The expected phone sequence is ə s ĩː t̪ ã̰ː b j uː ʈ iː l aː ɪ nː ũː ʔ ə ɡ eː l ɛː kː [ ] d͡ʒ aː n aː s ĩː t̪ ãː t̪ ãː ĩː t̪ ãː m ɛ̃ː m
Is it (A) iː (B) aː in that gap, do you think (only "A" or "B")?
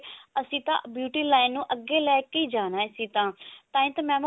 A